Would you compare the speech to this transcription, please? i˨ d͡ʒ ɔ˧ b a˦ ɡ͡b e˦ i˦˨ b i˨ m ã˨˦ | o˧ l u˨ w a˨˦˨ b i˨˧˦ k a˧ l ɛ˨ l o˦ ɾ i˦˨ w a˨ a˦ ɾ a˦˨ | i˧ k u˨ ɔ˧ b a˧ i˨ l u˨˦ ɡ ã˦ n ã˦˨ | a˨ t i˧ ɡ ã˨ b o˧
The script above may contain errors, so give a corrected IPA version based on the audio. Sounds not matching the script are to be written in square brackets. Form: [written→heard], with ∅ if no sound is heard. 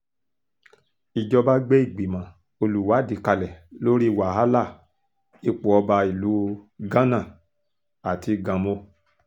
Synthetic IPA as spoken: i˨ d͡ʒ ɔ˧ b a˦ ɡ͡b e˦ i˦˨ [b→ɡ͡b] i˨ m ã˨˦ | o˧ l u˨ w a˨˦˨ [b→d] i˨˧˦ k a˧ l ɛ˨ l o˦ ɾ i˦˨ w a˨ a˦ [ɾ→l] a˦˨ | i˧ [k→k͡p] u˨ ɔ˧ b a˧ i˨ l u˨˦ ɡ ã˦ n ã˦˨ | a˨ t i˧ ɡ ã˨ [b→m] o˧